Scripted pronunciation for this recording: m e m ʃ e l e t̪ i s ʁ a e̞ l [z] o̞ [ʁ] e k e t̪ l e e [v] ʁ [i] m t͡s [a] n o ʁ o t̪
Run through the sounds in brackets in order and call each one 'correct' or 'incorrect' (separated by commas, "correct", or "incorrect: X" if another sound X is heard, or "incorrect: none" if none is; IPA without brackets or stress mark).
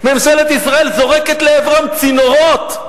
correct, correct, correct, incorrect: a, incorrect: i